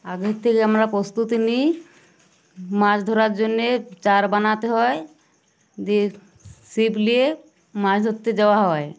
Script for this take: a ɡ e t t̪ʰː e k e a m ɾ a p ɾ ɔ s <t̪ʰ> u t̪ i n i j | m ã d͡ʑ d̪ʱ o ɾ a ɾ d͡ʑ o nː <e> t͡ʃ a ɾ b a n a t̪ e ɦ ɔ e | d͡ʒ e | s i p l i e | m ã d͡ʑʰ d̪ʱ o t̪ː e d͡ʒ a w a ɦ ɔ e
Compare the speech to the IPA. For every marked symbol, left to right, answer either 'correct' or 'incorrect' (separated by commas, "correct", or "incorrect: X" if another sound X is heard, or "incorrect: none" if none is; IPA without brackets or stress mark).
incorrect: t̪, correct